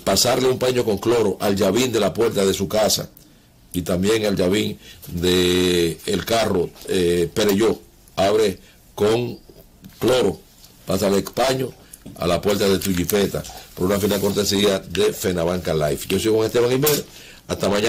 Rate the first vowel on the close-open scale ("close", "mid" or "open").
open